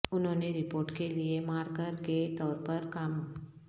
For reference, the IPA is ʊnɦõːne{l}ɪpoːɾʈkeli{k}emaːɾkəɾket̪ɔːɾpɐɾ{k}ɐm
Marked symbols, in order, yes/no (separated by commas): no, no, yes